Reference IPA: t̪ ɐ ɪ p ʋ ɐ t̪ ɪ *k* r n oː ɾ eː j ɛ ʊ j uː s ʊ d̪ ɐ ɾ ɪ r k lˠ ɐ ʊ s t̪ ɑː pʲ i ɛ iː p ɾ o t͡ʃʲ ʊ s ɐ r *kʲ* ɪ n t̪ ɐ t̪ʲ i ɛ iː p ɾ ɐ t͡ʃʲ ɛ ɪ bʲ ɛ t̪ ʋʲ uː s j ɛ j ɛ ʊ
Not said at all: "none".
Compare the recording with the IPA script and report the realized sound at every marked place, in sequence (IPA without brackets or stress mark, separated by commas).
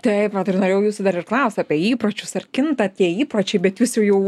none, kʲ